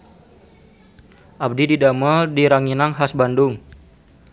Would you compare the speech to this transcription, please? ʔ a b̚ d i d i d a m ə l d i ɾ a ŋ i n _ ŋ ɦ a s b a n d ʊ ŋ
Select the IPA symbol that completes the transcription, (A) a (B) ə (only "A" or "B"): A